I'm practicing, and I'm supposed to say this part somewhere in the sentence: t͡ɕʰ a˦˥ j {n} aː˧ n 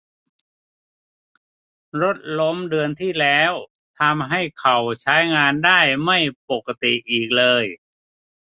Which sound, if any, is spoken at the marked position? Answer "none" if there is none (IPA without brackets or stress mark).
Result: ŋ